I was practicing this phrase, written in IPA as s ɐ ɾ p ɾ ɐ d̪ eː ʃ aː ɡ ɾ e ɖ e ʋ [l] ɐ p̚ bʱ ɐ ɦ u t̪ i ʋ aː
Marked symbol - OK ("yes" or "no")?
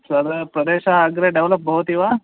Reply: yes